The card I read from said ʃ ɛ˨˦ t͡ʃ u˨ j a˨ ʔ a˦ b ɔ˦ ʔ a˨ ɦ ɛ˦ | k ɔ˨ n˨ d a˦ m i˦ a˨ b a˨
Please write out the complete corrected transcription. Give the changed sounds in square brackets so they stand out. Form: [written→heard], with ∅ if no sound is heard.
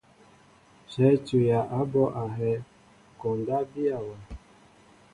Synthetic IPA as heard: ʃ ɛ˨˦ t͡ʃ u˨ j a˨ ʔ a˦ b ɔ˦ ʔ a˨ ɦ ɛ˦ | k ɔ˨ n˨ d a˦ [m→b] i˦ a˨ [b→w] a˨